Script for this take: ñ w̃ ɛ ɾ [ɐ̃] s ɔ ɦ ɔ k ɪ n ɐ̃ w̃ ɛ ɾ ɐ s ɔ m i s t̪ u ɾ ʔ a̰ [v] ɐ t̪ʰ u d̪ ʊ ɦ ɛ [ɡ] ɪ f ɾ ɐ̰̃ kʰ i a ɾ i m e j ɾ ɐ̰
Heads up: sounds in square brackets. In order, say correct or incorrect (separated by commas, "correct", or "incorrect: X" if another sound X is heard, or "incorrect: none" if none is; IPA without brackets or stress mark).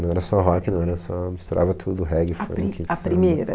incorrect: ɐ, correct, correct